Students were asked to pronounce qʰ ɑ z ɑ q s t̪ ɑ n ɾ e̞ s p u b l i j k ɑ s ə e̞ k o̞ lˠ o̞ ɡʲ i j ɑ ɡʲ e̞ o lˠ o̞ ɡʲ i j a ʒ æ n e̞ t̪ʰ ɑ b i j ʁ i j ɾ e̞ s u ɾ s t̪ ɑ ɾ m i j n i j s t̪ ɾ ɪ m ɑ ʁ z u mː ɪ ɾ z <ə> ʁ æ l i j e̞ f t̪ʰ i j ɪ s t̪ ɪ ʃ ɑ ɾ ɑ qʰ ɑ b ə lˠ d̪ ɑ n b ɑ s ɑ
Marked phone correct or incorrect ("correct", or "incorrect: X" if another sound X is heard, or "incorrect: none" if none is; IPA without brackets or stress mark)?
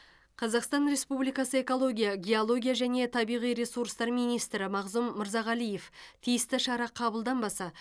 incorrect: ɑ